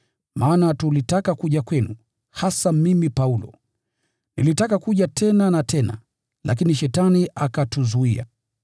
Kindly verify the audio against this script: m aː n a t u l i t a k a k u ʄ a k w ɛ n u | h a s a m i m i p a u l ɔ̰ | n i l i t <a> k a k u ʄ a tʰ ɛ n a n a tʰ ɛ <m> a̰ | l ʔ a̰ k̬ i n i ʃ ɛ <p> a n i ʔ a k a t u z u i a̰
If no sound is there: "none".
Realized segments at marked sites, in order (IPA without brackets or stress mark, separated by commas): a, n, t